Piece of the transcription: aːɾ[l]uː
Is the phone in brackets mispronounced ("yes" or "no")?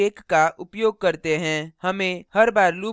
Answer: no